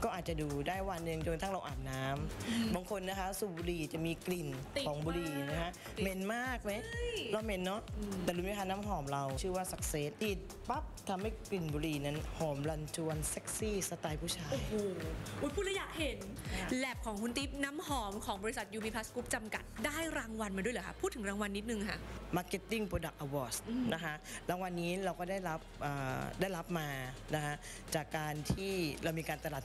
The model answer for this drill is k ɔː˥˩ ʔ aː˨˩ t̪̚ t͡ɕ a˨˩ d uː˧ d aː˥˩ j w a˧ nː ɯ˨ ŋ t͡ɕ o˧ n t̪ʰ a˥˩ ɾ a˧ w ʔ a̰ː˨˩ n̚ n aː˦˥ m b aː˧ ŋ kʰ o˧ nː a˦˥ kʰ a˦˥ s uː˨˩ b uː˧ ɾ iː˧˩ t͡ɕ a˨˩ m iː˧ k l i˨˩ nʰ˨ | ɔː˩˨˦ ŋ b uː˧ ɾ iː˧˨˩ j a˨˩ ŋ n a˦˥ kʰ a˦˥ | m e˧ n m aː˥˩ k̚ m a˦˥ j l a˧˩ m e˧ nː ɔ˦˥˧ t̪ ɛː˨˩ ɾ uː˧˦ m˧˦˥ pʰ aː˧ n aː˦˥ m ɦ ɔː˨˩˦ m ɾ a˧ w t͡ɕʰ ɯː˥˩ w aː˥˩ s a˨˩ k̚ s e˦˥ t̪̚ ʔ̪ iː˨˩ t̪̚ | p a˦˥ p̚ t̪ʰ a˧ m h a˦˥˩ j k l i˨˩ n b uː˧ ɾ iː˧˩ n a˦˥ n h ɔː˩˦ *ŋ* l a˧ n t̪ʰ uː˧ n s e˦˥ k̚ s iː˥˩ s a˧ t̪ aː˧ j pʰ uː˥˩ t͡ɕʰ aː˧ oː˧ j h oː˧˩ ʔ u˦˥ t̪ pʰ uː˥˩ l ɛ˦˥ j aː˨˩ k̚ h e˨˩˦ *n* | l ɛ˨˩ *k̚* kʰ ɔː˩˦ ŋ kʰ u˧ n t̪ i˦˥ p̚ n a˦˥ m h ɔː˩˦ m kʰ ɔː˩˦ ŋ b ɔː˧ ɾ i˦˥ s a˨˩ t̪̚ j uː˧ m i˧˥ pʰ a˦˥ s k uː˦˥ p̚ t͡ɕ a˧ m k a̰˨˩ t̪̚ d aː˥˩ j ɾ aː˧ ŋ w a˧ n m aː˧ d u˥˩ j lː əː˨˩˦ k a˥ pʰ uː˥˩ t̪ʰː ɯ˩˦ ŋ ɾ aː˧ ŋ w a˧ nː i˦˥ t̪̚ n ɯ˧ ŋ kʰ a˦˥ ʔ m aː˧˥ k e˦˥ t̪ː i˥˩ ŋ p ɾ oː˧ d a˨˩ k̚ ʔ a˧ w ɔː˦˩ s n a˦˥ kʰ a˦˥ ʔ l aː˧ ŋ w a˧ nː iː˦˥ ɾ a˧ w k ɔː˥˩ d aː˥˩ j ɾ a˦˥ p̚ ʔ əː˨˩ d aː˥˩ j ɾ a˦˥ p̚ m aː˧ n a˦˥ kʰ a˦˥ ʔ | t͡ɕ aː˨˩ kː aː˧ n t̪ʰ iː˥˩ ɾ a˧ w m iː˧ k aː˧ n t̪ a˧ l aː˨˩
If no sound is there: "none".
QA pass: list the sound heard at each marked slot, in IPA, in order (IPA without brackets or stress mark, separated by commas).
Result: m, n, p̚